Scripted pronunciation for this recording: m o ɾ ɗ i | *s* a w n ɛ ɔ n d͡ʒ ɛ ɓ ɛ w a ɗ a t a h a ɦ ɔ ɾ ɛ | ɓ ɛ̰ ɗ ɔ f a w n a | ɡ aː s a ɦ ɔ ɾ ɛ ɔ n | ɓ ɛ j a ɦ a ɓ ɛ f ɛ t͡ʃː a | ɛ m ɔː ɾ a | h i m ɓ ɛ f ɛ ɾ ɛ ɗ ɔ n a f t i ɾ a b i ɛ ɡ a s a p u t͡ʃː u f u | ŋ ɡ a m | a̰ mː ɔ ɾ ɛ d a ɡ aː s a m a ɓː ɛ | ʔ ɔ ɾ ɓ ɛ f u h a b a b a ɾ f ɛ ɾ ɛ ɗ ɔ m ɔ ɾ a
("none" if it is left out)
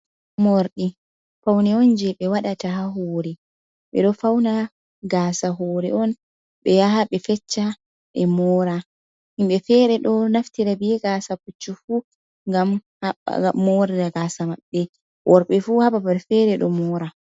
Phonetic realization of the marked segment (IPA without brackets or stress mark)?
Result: f